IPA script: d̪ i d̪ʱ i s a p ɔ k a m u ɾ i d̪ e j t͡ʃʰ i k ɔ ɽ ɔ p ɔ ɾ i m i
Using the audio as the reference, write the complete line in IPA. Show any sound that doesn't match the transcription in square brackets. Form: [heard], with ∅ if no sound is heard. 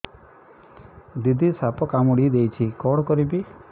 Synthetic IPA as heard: d̪ i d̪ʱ i s a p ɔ k a m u [ɽ] i d̪ e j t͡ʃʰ i k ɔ ɽ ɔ [k] ɔ ɾ i [b] i